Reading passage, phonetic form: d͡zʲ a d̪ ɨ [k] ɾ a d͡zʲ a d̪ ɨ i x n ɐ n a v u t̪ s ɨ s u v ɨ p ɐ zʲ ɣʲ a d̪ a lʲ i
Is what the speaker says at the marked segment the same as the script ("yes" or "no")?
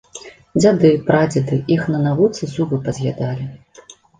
no